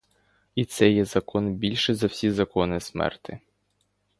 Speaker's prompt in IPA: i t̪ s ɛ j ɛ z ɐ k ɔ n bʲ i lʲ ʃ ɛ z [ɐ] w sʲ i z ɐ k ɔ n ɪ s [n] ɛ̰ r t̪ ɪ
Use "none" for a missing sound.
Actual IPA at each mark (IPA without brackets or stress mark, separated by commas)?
ɐ, m